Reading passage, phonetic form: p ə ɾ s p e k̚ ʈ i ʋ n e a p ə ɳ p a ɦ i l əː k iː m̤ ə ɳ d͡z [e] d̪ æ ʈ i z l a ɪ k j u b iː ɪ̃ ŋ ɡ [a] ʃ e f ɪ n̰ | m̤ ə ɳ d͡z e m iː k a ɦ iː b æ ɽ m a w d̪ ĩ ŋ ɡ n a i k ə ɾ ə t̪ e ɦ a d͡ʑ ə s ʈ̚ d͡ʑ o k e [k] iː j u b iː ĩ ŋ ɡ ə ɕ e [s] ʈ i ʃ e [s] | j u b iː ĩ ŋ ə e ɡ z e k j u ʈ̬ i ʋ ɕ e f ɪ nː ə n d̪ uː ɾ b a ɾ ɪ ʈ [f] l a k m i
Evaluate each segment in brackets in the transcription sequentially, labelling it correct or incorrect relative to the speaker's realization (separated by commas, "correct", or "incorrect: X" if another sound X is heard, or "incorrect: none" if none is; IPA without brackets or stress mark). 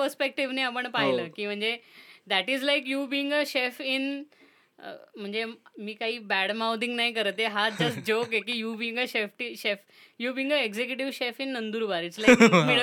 correct, incorrect: ə, correct, incorrect: f, incorrect: f, incorrect: s